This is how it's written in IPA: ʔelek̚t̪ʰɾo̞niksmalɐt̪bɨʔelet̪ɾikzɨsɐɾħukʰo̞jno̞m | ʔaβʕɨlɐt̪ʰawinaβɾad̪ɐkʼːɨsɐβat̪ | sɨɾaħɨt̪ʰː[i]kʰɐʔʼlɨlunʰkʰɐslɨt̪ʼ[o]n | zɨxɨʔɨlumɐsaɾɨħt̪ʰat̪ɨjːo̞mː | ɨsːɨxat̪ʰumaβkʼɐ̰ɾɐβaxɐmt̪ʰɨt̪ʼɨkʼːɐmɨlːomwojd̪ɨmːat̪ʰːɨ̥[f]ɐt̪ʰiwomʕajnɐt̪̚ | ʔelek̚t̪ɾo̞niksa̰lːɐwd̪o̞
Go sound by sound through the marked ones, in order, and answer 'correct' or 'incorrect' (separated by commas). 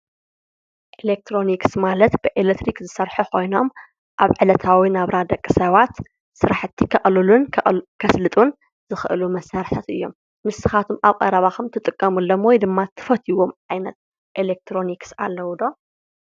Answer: correct, incorrect, correct